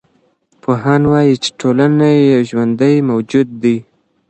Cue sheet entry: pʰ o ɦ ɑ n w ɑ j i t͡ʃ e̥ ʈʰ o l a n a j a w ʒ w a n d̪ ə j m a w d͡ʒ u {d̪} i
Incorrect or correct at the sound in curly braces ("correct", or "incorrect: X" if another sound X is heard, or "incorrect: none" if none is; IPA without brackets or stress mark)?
incorrect: d̪ː